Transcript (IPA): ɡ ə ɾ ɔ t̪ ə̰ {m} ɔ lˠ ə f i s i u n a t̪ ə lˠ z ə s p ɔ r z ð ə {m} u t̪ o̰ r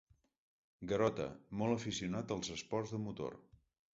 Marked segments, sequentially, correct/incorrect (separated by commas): correct, correct